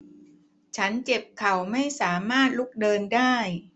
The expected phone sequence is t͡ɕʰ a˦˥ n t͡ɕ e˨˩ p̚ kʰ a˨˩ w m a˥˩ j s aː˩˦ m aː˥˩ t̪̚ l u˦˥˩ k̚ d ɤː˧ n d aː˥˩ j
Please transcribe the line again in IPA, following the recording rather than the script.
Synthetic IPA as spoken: t͡ɕʰ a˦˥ n t͡ɕ e˨˩ p̚ kʰ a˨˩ w m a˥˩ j s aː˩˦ m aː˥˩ t̪̚ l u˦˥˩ k̚ d ɤː˧ n d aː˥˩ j